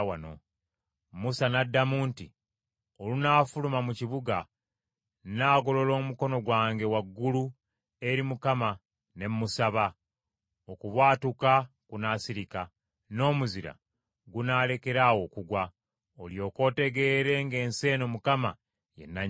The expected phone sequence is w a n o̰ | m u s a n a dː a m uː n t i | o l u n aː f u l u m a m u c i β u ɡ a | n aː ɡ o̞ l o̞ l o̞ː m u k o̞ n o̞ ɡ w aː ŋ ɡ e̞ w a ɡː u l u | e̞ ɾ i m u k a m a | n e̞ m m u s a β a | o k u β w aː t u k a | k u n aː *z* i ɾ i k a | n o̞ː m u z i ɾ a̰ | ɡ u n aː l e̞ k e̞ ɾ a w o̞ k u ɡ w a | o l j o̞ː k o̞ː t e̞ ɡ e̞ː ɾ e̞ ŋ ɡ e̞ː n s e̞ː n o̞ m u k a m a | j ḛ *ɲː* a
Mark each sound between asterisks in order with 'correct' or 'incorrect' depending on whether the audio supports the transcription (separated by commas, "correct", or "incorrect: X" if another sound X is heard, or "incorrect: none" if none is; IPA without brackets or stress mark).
incorrect: s, incorrect: nː